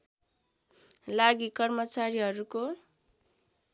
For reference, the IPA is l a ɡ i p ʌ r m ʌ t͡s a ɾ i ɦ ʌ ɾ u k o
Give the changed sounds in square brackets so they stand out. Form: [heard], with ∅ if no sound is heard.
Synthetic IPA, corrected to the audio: l a ɡ i [k] ʌ r m ʌ t͡s a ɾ i ɦ ʌ ɾ u k o